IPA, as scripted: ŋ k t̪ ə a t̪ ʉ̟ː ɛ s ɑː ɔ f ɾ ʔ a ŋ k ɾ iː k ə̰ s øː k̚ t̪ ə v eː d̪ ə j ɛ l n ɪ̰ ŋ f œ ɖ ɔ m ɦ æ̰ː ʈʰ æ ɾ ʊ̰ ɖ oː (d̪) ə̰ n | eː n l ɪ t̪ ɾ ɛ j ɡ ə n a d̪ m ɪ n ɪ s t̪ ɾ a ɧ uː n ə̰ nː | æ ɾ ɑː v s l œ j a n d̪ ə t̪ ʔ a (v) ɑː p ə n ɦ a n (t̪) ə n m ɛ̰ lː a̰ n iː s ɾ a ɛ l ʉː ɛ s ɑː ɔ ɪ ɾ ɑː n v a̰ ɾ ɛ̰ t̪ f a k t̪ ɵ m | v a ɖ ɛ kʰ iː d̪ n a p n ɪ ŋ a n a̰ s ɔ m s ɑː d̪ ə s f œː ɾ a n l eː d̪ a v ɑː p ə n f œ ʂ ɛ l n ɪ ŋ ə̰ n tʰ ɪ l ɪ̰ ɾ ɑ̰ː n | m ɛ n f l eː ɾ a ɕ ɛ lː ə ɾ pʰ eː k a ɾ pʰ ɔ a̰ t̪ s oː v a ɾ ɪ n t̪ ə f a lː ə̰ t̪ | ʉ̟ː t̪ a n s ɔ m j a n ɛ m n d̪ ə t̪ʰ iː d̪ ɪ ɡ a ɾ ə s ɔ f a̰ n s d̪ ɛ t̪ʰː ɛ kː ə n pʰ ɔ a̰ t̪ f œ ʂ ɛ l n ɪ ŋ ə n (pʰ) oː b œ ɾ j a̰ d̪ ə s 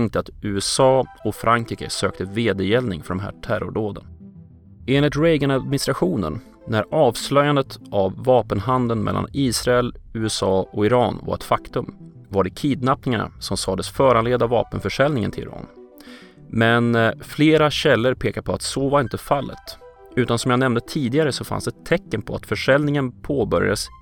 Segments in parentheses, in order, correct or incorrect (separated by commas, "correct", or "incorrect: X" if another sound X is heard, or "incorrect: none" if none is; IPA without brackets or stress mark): correct, incorrect: vː, incorrect: d̪, correct